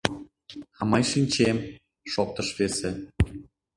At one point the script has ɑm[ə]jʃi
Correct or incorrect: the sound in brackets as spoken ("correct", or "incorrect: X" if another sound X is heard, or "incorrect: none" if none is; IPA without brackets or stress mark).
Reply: incorrect: ɑ